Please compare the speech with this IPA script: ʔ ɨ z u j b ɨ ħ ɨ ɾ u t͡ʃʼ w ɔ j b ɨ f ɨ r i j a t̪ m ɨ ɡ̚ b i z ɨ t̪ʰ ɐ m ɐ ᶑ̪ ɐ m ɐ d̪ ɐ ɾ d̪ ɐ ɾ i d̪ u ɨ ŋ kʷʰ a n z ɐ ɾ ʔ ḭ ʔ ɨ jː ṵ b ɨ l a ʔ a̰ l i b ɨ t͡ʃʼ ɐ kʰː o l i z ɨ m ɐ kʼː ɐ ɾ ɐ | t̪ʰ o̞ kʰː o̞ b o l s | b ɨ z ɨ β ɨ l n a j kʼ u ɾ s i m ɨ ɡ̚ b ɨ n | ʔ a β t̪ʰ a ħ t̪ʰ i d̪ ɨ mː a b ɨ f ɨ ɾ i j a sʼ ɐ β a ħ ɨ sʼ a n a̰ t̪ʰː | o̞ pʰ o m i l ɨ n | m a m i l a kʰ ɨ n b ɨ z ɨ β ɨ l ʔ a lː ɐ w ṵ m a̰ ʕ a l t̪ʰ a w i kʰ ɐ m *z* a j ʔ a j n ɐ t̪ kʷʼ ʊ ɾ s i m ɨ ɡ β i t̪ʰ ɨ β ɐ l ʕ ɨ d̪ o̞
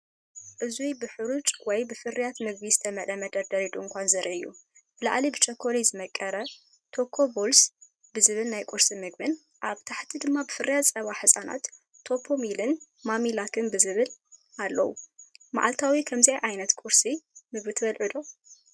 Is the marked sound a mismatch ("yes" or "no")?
no